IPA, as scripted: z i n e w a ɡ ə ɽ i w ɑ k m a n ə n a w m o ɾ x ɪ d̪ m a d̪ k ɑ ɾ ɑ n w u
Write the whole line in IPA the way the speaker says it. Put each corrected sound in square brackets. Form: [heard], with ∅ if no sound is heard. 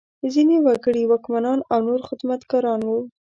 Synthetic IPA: z i n e w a ɡ ə ɽ i w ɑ k m a n [ɑ] n a w [n] o ɾ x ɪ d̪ m a [t̪] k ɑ ɾ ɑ n w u

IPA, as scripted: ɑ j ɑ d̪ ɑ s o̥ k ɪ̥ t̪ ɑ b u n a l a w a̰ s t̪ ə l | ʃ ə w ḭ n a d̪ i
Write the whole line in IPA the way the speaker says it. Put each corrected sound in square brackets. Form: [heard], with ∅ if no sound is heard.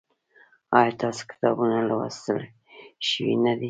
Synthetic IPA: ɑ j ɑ [t̪] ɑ s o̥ k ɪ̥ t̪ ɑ b u n a l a w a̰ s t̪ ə l | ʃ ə w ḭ n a d̪ i

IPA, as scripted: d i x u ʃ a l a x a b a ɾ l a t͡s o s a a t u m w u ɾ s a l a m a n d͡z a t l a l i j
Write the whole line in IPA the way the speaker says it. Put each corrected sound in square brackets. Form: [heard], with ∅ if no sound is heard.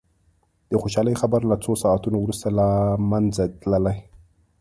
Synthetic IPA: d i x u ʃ a l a x a b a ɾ l a t͡s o s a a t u [n] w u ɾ s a l a m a n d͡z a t l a l [a] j

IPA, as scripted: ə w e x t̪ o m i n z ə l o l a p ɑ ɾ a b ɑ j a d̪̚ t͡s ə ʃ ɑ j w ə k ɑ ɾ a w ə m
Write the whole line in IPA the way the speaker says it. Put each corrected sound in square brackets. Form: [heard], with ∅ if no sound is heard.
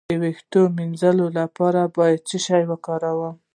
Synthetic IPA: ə w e x t̪ o m i n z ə l o l a p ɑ ɾ a b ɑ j a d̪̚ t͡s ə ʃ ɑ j w ə k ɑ ɾ a w ə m

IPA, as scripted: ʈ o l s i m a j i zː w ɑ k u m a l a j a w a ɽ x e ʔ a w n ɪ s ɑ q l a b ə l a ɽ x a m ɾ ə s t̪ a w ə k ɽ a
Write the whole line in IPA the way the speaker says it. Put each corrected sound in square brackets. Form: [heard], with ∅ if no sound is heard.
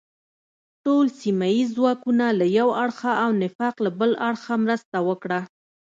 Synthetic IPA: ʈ o l s i m a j i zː w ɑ k u [n] a l a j a w a ɽ x [a] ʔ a w n ɪ [f] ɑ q l a b ə l a ɽ x a m ɾ ə s t̪ a w ə k ɽ a

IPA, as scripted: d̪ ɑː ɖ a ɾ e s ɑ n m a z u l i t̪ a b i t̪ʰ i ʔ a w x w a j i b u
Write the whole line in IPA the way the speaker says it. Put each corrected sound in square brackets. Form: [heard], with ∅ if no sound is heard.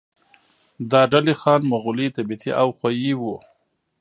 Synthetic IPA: d̪ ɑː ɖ a [l] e [x] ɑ n m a [ɣ] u l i t̪ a b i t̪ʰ i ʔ a w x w a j i [w] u

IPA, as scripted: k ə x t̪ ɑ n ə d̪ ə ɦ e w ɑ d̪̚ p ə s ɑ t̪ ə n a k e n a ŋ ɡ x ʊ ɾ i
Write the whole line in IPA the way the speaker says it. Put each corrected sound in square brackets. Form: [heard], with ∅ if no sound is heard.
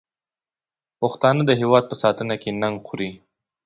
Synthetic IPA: [p] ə x t̪ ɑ n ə d̪ ə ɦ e w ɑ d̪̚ p ə s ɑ t̪ ə n a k e n a ŋ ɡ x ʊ ɾ i

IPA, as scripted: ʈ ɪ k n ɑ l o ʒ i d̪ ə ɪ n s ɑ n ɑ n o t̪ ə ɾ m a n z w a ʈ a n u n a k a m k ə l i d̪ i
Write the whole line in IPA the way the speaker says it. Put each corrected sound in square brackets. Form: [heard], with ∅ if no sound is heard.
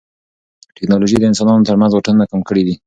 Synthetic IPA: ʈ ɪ k n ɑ l o ʒ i d̪ ə ɪ n s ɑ n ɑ n o t̪ ə ɾ m a n z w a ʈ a n u n a k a m k ə [ɽ] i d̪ i

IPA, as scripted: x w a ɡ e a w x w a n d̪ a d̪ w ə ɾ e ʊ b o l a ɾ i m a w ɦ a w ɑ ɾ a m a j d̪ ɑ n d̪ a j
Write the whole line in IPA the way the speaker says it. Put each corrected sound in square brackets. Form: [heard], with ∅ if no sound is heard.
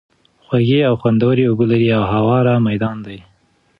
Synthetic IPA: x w a ɡ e a w x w a n d̪ a [∅] w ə ɾ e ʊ b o l a ɾ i [∅] a w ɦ a w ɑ ɾ a m a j d̪ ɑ n d̪ a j

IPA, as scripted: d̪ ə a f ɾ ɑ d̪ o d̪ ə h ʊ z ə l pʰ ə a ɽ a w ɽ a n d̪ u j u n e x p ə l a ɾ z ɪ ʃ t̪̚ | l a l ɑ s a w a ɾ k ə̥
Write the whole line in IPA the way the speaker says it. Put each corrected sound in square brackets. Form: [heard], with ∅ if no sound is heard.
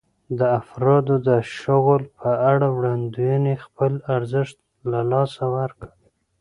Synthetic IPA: d̪ ə a f ɾ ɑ d̪ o d̪ ə [ʃ] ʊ [ɣ] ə l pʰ ə a ɽ a w ɽ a n d̪ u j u n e x p ə l a ɾ z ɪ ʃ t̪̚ | l a l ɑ s a w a ɾ k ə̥

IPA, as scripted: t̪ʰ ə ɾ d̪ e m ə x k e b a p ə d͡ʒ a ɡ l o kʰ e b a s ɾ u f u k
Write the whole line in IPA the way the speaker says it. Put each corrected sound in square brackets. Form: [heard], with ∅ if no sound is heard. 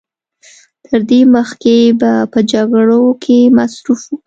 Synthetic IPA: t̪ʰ ə ɾ d̪ e m ə x k e b a p ə d͡ʒ a ɡ [ɽ] o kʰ e [m] a s ɾ u f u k

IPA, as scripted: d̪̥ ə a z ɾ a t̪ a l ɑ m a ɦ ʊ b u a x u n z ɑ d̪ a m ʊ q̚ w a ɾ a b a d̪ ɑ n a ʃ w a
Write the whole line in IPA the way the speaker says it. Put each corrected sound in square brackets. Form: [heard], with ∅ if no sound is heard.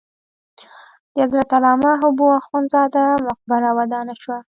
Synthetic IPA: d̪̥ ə a z ɾ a t̪ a l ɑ m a ɦ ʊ b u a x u n z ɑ d̪ a m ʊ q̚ [b] a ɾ a [w] a d̪ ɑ n a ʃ w a

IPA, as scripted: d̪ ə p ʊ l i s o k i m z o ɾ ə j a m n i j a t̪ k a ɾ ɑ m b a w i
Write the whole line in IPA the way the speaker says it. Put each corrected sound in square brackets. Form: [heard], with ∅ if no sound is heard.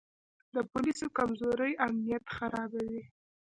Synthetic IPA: d̪ ə p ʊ l i s o k [a] m z o ɾ ə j a m n i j a t̪ [x] a ɾ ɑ [∅] b a w i

